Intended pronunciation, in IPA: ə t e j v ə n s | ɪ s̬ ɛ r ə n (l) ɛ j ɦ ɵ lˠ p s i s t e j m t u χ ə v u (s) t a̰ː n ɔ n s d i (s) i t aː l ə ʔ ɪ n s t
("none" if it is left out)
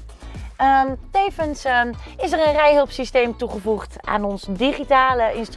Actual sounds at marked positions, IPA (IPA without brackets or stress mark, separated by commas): r, χ, χ